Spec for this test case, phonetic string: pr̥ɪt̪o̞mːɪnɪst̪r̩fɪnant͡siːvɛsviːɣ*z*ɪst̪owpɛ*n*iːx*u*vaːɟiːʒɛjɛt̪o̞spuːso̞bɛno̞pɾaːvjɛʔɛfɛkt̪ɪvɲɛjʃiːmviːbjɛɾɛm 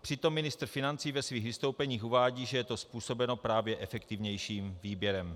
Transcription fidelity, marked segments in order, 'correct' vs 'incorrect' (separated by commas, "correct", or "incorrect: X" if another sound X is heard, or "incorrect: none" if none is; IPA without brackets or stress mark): incorrect: v, incorrect: ɲ, correct